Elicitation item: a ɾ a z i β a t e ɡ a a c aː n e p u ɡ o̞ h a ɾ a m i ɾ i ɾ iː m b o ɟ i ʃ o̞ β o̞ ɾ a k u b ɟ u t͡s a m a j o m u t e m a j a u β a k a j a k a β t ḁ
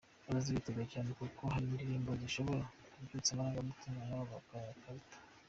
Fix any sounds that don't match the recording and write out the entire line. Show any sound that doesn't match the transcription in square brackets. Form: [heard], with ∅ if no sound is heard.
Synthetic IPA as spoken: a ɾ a z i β [i] t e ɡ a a c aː n e [k] u [k] o̞ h a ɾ [i] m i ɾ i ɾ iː m b o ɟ i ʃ o̞ β o̞ ɾ a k u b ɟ u t͡s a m a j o m u t [i] m a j a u β a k a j a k a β t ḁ